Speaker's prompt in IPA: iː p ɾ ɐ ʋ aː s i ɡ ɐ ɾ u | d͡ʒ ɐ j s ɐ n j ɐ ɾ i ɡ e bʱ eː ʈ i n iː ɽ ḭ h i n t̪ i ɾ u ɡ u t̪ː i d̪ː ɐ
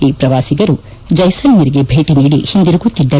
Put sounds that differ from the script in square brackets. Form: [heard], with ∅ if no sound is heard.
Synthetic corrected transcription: iː p ɾ ɐ ʋ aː s i ɡ ɐ ɾ u | d͡ʒ ɐ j s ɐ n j ɐ ɾ i ɡ e bʱ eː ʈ i n iː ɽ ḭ h i n [d̪] i ɾ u ɡ u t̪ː i d̪ː ɐ

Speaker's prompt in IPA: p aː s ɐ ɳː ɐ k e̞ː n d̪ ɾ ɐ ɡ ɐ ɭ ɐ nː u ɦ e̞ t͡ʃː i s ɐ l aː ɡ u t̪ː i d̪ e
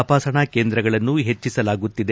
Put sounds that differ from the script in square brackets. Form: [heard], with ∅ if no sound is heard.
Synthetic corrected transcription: p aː s ɐ [ɳ] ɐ k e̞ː n d̪ ɾ ɐ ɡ ɐ ɭ ɐ nː u ɦ e̞ t͡ʃː i s ɐ l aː ɡ u t̪ː i d̪ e

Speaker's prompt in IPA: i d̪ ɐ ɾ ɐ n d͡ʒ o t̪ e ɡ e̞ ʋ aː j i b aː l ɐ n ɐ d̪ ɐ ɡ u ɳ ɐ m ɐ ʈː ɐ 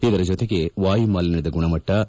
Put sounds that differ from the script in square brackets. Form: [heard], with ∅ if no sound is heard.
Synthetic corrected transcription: i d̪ ɐ ɾ ɐ [∅] d͡ʒ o t̪ e ɡ e̞ ʋ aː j i [m] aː l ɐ n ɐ d̪ ɐ ɡ u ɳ ɐ m ɐ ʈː ɐ

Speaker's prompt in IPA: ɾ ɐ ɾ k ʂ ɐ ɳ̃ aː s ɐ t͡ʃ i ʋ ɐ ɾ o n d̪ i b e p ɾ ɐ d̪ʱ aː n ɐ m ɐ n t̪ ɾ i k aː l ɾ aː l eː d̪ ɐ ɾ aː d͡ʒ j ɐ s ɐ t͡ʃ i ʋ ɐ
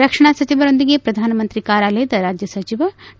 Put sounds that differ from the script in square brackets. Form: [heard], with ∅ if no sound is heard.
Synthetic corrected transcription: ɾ ɐ [∅] k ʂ ɐ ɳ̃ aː s ɐ t͡ʃ i ʋ ɐ ɾ o n d̪ i [ɡ] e p ɾ ɐ d̪ʱ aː n ɐ m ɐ n t̪ ɾ i k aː [∅] ɾ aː l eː d̪ ɐ ɾ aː d͡ʒ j ɐ s ɐ t͡ʃ i ʋ ɐ

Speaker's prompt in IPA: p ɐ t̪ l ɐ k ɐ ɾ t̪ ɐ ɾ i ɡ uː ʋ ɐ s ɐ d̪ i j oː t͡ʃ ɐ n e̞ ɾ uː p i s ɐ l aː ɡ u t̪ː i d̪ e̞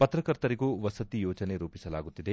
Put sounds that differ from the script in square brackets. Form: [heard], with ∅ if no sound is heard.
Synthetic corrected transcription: p ɐ t̪ [ɾ] ɐ k ɐ ɾ t̪ ɐ ɾ i ɡ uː ʋ ɐ s ɐ [t̪] i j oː t͡ʃ ɐ n e̞ ɾ uː p i s ɐ l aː ɡ u t̪ː i d̪ e̞

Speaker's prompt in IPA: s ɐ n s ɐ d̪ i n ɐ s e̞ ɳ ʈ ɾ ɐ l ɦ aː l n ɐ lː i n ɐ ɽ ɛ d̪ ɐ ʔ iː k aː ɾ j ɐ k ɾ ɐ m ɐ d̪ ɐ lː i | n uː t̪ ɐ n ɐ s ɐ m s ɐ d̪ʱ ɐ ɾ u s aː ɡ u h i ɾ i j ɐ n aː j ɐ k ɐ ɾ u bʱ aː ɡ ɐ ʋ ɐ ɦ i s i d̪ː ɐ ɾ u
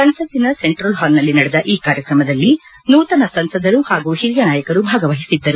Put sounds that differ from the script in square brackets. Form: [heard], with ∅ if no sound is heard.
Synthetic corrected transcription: s ɐ n s ɐ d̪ i n ɐ s e̞ ɳ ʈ ɾ ɐ l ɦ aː l n ɐ lː i n ɐ ɽ ɛ d̪ ɐ ʔ iː k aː ɾ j ɐ k ɾ ɐ m ɐ d̪ ɐ lː i | n uː t̪ ɐ n ɐ s ɐ [n] s ɐ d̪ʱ ɐ ɾ u [h] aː ɡ u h i ɾ i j ɐ n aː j ɐ k ɐ ɾ u bʱ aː ɡ ɐ ʋ ɐ ɦ i s i d̪ː ɐ ɾ u

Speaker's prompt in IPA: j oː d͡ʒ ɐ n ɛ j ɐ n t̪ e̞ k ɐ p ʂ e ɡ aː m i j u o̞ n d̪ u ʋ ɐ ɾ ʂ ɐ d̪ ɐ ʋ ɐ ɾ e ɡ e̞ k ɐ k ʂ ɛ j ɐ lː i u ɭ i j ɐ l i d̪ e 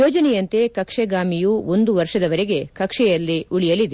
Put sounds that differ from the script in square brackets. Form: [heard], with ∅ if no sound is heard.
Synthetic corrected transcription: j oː d͡ʒ ɐ n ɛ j ɐ n t̪ e̞ k ɐ [k] ʂ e ɡ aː m i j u o̞ n d̪ u ʋ ɐ ɾ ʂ ɐ d̪ ɐ ʋ ɐ ɾ e ɡ e̞ k ɐ k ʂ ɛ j ɐ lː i u ɭ i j ɐ l i d̪ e

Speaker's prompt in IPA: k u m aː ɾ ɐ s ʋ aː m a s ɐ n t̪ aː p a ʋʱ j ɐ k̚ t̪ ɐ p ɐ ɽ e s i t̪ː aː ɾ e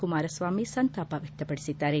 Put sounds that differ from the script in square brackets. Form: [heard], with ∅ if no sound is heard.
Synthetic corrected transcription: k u m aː ɾ ɐ s ʋ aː m [i] s ɐ n t̪ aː p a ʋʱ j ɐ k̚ t̪ ɐ p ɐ ɽ [i] s i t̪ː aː ɾ e

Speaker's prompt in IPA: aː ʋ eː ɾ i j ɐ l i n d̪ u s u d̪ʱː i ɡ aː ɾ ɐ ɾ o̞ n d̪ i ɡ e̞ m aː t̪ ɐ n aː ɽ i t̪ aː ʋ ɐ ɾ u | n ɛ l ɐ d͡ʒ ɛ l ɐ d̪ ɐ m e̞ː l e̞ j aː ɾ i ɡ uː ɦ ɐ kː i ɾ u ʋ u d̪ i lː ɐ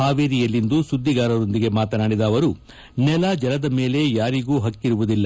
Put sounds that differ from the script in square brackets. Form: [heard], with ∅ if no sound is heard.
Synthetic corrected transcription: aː ʋ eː ɾ i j ɐ [lː] i n d̪ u s u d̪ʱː i ɡ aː ɾ ɐ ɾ o̞ n d̪ i ɡ e̞ m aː t̪ ɐ n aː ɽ i [d̪] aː ʋ ɐ ɾ u | n ɛ l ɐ d͡ʒ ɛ l ɐ d̪ ɐ m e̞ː l e̞ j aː ɾ i ɡ uː ɦ ɐ kː i ɾ u ʋ u d̪ i lː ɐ

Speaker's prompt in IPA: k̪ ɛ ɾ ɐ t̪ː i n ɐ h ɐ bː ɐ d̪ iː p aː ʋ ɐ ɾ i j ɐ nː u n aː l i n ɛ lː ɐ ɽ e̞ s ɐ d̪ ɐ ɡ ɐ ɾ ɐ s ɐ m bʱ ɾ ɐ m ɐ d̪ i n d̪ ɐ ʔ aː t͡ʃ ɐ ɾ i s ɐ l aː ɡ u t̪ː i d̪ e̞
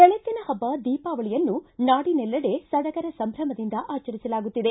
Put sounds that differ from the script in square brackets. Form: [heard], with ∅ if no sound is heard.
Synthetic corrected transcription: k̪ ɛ [ɭ] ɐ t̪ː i n ɐ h ɐ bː ɐ d̪ iː p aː ʋ ɐ [ɭ] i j ɐ nː u n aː [ɽ] i n ɛ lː ɐ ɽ e̞ s ɐ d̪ ɐ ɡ ɐ ɾ ɐ s ɐ m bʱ ɾ ɐ m ɐ d̪ i n d̪ ɐ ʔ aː t͡ʃ ɐ ɾ i s ɐ l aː ɡ u t̪ː i d̪ e̞

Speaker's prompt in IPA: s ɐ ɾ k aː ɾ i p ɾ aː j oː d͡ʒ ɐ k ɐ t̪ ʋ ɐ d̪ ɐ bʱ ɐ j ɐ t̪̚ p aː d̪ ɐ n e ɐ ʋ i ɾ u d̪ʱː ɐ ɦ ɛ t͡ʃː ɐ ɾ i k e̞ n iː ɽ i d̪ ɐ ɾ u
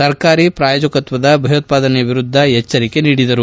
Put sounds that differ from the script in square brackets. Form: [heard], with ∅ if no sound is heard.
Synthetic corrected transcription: s ɐ ɾ k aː ɾ i p ɾ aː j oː d͡ʒ ɐ k ɐ t̪ ʋ ɐ d̪ ɐ bʱ ɐ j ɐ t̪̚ p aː d̪ ɐ n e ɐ ʋ i ɾ u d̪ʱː ɐ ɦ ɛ t͡ʃː ɐ ɾ i k e̞ n iː ɽ i d̪ ɐ ɾ u

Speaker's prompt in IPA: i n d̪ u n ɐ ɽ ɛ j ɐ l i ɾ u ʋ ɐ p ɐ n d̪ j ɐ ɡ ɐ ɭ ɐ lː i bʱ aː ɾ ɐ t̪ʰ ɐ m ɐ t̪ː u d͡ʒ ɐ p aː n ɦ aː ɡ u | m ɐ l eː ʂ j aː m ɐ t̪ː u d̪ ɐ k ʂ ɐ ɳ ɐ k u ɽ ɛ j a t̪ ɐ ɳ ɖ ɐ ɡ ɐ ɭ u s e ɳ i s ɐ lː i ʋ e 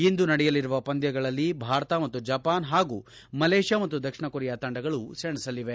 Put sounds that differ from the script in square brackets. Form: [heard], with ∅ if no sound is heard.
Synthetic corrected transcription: i n d̪ u n ɐ ɽ ɛ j ɐ l i ɾ u ʋ ɐ p ɐ n d̪ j ɐ ɡ ɐ ɭ ɐ lː i bʱ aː ɾ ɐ [t̪] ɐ m ɐ t̪ː u d͡ʒ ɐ p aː n ɦ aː ɡ u | m ɐ l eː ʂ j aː m ɐ t̪ː u d̪ ɐ k ʂ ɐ ɳ ɐ k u [ɾ] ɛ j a t̪ ɐ ɳ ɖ ɐ ɡ ɐ ɭ u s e ɳ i s ɐ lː i ʋ e

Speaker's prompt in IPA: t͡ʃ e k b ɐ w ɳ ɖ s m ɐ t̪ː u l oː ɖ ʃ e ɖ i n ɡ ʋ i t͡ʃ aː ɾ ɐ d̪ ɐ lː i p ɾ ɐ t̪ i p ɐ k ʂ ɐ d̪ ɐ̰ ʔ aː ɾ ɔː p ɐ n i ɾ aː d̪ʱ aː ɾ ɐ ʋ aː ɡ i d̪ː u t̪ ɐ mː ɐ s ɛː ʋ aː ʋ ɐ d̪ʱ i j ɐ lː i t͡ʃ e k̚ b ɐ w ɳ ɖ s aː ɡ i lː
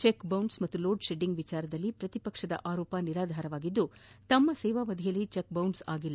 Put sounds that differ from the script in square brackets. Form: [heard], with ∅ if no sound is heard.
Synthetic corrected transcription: t͡ʃ e k b ɐ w ɳ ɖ s m ɐ t̪ː u l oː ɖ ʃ e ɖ i [ŋ] ɡ ʋ i t͡ʃ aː ɾ ɐ d̪ ɐ lː i p ɾ ɐ t̪ i p ɐ k ʂ ɐ d̪ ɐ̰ ʔ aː ɾ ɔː p ɐ n i ɾ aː d̪ʱ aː ɾ ɐ ʋ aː ɡ i d̪ː u t̪ ɐ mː ɐ s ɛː ʋ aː ʋ ɐ d̪ʱ i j ɐ lː i t͡ʃ e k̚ b ɐ w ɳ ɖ s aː ɡ i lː

